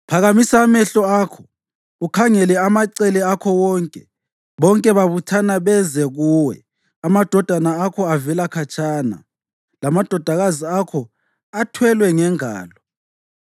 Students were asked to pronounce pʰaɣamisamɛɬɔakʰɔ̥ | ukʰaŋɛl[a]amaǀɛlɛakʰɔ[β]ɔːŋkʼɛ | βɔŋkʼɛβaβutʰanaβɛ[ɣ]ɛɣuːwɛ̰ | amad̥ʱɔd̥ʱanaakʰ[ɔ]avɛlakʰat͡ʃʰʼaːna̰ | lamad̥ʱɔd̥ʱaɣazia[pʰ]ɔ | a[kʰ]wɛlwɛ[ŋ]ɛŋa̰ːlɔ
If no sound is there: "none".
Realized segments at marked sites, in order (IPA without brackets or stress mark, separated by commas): ɛ, w, z, ɔ, kʰ, tʰ, ŋ